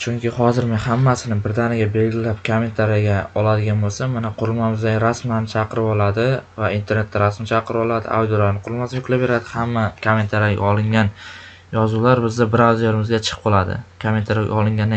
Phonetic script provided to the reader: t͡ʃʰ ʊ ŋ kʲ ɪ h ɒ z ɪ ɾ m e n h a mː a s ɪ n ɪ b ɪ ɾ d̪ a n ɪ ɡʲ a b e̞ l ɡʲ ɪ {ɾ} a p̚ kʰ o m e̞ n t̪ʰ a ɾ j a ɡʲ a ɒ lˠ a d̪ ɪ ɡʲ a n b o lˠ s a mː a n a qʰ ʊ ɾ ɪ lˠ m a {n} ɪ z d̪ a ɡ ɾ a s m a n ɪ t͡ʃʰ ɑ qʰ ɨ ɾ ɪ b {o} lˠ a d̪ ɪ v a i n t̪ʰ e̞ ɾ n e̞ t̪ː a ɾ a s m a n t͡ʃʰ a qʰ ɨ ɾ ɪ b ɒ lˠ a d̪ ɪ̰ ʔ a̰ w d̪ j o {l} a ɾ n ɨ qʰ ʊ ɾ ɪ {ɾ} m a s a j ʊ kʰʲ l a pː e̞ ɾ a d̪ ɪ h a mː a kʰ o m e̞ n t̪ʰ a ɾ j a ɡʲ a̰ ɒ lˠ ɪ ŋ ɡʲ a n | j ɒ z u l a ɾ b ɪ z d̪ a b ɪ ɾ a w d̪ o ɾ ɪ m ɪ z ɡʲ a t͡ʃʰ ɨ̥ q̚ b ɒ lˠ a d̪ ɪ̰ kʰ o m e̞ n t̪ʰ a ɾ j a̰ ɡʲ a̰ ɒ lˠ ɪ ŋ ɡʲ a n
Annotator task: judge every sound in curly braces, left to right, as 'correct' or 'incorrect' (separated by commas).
incorrect, incorrect, incorrect, correct, incorrect